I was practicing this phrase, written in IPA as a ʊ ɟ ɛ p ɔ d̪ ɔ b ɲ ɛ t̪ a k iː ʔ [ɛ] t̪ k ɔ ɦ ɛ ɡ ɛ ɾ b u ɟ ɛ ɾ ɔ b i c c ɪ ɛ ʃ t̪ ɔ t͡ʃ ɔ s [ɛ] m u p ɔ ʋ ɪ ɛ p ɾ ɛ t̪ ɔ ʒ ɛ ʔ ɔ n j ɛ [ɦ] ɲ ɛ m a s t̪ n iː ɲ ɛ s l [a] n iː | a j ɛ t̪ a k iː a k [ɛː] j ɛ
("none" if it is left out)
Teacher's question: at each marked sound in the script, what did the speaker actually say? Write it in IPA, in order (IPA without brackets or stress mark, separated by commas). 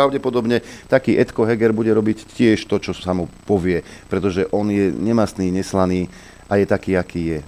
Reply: ɛ, a, none, a, iː